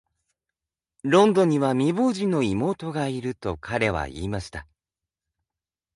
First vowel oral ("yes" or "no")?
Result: no